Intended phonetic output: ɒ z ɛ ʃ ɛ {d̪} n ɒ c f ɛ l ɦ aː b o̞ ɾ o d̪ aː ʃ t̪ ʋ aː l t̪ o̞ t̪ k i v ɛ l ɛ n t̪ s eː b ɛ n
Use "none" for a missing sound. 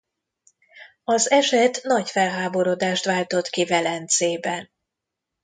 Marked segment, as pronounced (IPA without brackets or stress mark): t̪